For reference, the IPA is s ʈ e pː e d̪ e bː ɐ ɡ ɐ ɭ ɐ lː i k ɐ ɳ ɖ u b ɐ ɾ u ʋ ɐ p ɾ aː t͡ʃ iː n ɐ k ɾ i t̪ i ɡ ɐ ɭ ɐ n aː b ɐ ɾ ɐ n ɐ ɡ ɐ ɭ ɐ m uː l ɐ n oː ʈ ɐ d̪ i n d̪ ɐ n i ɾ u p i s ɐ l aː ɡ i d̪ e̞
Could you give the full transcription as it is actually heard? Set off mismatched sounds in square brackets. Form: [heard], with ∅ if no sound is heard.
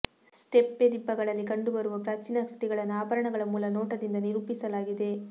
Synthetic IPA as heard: s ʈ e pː e d̪ [i] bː ɐ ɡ ɐ ɭ ɐ lː i k ɐ ɳ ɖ u b ɐ ɾ u ʋ ɐ p ɾ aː t͡ʃ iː n ɐ k ɾ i t̪ i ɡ ɐ ɭ ɐ n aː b ɐ ɾ ɐ [ɳ] ɐ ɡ ɐ ɭ ɐ m uː l ɐ n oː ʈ ɐ d̪ i n d̪ ɐ n i ɾ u p i s ɐ l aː ɡ i d̪ e̞